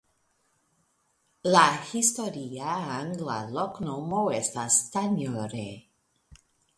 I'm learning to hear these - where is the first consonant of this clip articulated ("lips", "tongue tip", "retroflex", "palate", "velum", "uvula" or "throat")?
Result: tongue tip